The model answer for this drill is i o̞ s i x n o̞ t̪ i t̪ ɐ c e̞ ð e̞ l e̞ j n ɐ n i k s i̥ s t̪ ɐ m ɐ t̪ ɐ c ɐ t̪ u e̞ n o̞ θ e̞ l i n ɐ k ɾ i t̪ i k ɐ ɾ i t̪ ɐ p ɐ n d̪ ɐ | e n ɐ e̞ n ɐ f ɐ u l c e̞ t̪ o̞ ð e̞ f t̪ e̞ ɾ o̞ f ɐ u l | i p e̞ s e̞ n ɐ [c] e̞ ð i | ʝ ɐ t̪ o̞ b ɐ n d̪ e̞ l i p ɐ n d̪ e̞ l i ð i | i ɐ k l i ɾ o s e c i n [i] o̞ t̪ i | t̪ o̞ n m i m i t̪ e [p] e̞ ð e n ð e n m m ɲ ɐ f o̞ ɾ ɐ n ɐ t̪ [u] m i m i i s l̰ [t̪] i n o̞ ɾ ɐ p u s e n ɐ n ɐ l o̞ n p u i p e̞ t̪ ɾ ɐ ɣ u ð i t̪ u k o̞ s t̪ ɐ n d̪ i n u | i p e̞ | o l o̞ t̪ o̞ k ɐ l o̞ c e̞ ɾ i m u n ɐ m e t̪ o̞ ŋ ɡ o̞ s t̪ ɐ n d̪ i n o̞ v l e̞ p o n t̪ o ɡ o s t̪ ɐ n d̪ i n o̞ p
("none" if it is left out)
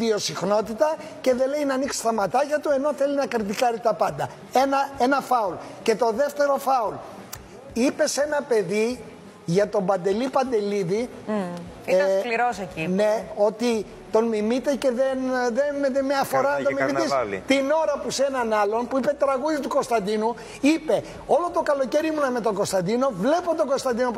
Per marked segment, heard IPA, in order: p, e, c, o, t̪

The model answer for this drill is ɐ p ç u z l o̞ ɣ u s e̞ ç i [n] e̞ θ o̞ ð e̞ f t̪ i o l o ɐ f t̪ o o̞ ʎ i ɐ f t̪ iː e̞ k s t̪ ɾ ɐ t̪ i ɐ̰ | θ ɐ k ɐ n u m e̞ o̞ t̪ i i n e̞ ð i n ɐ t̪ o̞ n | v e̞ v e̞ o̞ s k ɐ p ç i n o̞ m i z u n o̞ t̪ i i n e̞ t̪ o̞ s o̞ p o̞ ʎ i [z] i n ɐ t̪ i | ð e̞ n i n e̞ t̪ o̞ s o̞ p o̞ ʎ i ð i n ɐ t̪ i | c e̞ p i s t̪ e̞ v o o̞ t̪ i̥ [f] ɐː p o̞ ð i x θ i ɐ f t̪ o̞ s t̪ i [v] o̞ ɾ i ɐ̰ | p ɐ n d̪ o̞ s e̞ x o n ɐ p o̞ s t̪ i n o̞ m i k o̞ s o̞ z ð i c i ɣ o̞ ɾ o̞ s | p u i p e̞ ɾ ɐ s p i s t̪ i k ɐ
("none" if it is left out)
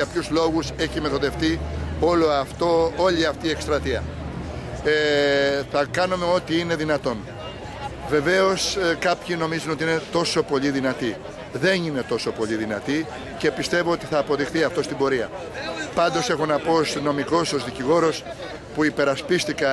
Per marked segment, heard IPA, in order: m, ð, θ, b

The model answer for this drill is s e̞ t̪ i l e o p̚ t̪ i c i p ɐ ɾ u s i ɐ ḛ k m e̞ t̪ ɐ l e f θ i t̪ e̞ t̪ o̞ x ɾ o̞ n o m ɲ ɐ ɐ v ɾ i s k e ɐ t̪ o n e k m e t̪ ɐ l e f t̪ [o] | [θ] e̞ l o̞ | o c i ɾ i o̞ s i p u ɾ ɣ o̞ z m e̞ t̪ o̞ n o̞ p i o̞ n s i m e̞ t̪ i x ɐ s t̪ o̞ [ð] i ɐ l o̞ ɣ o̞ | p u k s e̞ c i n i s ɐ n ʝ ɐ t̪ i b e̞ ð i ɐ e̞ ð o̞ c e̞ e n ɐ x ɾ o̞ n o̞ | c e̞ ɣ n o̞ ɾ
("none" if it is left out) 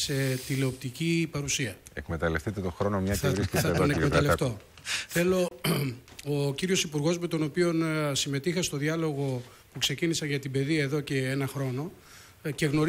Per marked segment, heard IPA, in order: o, θ, ð

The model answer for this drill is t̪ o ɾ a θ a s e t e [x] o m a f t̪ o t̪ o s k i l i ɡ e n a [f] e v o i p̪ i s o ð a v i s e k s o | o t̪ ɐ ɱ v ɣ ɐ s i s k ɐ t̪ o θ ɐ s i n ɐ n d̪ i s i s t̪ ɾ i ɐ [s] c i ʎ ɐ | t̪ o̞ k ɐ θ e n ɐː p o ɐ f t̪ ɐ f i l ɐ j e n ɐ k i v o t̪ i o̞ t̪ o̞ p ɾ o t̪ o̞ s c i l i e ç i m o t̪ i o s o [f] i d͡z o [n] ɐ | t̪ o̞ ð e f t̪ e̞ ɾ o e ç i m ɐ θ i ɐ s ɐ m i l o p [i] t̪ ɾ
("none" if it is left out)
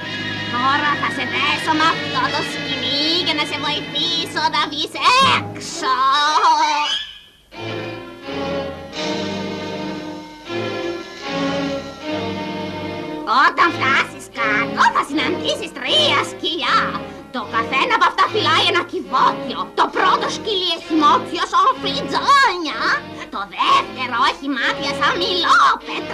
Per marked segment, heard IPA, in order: s, s, s, f, ɲ, e

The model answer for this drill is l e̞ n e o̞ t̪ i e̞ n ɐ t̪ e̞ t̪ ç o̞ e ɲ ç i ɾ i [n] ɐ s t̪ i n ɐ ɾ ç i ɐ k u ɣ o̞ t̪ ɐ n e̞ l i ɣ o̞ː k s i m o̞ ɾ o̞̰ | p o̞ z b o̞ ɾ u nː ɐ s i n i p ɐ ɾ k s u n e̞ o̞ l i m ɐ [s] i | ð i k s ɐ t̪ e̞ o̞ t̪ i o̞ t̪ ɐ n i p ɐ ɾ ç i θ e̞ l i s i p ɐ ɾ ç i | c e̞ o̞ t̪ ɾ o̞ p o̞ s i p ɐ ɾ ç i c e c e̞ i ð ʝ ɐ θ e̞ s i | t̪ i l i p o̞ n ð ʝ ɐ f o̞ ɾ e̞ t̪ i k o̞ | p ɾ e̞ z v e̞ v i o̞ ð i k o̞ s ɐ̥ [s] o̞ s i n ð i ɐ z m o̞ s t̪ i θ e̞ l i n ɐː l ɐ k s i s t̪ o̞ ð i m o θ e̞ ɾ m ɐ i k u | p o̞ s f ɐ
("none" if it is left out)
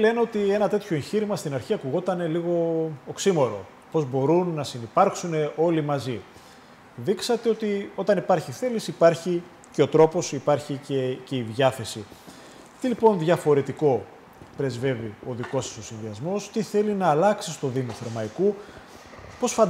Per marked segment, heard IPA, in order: m, z, s

